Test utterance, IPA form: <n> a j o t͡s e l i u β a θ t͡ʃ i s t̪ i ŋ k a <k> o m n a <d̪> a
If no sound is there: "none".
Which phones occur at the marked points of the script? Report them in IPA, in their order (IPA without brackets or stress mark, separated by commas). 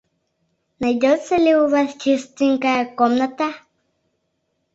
n, k, t̪